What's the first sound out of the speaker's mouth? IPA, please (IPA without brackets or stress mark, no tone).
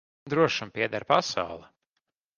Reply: d̪